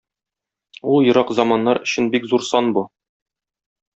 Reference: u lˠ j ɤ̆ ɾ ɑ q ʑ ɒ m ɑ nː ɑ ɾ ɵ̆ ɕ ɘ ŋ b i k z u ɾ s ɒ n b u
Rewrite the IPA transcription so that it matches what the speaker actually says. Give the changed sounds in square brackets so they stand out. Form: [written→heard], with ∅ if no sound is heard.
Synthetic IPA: u lˠ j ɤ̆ ɾ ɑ q [ʑ→z] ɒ m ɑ nː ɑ ɾ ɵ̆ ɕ ɘ [ŋ→n] b i k z u ɾ s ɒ n b u